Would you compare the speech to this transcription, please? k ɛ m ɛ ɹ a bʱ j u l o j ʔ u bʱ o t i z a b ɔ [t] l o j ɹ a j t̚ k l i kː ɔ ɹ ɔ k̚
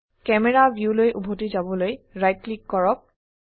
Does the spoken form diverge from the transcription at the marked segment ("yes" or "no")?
yes